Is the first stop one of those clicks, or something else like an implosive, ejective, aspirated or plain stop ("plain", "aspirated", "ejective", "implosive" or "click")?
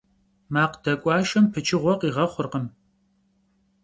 plain